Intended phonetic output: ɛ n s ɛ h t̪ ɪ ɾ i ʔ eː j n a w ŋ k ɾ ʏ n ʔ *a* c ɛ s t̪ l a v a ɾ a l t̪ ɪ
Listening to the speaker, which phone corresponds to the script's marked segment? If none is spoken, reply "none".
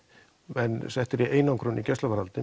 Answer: i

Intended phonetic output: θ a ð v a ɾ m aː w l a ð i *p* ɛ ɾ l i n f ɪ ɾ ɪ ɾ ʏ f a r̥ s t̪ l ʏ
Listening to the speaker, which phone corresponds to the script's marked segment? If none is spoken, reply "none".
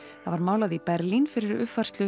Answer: p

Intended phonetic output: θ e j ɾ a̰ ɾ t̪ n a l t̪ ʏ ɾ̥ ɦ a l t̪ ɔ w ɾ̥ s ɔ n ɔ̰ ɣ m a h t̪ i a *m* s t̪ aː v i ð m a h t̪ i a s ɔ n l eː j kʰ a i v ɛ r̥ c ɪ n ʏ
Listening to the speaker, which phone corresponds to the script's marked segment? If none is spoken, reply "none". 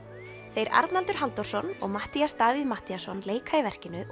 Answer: none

